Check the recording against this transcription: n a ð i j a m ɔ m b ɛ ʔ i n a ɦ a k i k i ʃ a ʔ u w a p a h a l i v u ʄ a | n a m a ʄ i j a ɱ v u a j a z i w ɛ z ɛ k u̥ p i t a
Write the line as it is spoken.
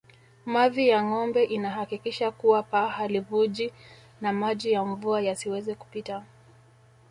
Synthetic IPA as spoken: m a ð i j a ŋ ɔ m b ɛ ʔ i n a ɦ a k i k i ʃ a k u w a p a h a l i v u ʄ i | n a m a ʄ i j a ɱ v u a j a s i w ɛ z ɛ k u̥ p i t a